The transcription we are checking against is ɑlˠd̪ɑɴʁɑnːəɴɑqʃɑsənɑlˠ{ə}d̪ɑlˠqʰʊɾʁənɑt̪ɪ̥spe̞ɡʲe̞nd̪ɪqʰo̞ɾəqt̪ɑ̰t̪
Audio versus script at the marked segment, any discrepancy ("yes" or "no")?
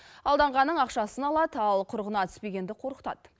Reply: yes